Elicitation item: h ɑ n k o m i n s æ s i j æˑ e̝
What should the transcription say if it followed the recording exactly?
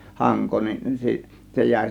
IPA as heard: h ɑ ŋ k o n i n s i s e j æˑ e̝